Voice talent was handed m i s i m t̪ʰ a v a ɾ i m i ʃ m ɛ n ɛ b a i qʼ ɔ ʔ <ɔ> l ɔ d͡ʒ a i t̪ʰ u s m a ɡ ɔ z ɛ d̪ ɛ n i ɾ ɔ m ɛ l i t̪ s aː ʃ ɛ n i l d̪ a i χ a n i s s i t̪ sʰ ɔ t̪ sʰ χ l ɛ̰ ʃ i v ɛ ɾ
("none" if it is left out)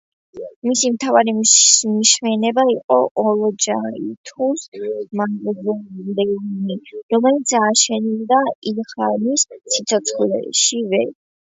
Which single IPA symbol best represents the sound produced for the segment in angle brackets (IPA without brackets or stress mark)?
ɔ